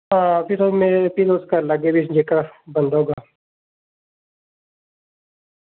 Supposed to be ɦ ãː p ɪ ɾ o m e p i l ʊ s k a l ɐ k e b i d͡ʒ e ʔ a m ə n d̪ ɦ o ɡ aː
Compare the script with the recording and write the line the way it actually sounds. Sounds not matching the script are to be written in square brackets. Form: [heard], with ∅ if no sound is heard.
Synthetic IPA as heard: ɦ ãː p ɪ ɾ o m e p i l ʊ s k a l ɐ [ɡ] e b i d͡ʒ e [k] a [b] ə n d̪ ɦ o ɡ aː

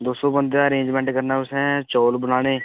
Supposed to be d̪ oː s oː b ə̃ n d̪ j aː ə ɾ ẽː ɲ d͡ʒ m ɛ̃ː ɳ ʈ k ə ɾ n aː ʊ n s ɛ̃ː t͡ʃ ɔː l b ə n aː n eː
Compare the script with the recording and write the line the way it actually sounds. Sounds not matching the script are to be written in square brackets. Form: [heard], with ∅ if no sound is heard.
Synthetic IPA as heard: d̪ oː s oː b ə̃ n d̪ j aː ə ɾ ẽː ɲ d͡ʒ m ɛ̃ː ɳ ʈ k ə ɾ n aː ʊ [∅] s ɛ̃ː t͡ʃ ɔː l b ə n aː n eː

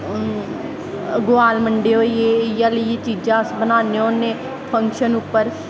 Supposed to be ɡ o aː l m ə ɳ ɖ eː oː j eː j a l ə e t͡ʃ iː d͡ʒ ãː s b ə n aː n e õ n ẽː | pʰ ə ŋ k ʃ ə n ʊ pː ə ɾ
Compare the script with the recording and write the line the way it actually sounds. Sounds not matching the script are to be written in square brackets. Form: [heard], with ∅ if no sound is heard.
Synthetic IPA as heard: ɡ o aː l m ə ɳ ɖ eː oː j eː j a l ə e t͡ʃ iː d͡ʒ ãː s b ə n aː n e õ n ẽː | pʰ ə ŋ k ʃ ə n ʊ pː ə ɾ

